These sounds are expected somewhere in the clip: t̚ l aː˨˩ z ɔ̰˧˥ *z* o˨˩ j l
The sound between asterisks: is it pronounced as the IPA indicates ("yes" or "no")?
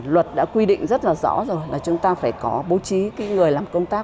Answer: yes